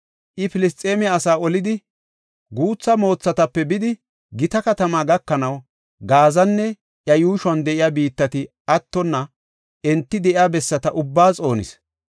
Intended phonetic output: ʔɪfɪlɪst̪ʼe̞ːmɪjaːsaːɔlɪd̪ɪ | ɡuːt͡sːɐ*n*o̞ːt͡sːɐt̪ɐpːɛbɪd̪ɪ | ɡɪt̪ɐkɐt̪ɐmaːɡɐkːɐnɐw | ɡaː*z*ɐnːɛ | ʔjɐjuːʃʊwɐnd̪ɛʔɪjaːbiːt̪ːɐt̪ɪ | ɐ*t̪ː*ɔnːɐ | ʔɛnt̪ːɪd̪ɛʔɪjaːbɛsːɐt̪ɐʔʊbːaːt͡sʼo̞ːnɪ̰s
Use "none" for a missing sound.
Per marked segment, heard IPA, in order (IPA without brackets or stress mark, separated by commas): m, z, t̪ː